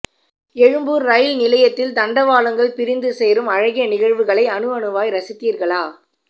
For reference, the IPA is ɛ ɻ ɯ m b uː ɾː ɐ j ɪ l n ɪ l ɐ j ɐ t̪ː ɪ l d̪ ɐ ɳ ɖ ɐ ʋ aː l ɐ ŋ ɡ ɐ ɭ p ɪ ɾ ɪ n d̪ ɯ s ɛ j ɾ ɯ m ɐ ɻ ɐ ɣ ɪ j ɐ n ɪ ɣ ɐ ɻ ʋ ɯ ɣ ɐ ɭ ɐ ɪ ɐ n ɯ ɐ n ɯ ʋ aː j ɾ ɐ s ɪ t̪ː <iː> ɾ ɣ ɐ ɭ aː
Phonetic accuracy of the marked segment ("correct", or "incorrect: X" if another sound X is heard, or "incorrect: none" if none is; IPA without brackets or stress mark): correct